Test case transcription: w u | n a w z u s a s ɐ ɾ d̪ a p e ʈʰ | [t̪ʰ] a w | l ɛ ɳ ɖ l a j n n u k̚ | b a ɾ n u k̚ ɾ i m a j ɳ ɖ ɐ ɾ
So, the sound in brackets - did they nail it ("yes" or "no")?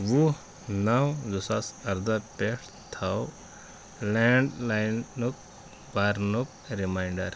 yes